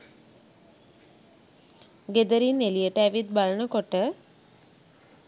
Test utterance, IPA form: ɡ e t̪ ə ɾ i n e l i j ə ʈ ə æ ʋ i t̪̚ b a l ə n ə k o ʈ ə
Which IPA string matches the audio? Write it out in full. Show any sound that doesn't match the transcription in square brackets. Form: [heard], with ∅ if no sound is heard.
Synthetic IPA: ɡ e [d̪] ə ɾ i n e l i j ə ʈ ə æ ʋ i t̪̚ b a l ə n ə k o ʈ ə